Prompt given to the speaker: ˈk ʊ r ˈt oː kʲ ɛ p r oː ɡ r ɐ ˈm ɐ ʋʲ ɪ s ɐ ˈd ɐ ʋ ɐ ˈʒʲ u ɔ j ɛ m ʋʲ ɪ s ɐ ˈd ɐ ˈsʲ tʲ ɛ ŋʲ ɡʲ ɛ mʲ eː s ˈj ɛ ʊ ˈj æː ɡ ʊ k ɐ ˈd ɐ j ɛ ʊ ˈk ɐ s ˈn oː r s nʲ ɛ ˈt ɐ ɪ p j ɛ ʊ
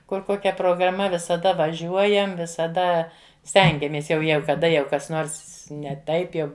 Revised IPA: ˈk ʊ r ˈk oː kʲ ɛ p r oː ɡ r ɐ ˈm ɐ ʋʲ ɪ s ɐ ˈd ɐ ʋ ɐ ˈʒʲ u ɔ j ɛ m ʋʲ ɪ s ɐ ˈd ɐ ˈsʲ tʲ ɛ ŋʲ ɡʲ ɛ mʲ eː s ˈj ɛ ʊ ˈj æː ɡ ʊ k ɐ ˈd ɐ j ɛ ʊ ˈk ɐ s ˈn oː r s nʲ ɛ ˈt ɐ ɪ p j ɛ ʊ